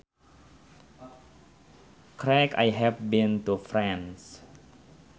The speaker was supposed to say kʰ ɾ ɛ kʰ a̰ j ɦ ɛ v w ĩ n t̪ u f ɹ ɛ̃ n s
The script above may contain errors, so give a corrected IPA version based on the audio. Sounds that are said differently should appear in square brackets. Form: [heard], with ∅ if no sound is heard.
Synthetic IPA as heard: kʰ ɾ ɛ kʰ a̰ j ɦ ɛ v [b] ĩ n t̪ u f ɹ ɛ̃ n s